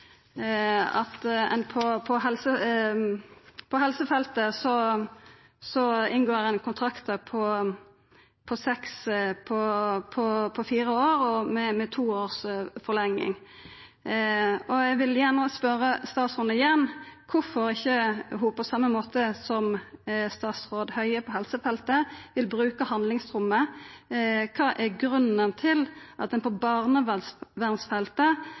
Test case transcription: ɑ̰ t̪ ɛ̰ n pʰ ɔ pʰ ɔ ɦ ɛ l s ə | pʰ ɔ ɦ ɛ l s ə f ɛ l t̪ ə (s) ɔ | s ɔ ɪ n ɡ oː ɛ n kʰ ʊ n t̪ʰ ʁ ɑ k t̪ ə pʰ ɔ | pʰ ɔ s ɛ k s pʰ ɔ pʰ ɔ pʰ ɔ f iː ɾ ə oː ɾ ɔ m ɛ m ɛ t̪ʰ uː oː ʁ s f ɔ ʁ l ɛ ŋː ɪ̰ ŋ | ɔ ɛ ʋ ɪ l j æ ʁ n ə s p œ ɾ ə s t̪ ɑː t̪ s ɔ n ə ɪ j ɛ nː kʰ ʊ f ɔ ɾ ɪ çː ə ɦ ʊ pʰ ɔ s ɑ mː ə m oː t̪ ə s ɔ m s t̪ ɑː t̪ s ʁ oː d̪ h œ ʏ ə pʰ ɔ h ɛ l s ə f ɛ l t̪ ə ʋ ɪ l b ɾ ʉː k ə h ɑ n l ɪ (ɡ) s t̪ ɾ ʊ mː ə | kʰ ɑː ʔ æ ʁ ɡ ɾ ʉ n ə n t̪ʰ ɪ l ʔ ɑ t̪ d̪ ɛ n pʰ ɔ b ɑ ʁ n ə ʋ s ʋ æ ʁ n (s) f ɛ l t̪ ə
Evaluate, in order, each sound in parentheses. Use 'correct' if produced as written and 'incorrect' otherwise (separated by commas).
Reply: correct, incorrect, correct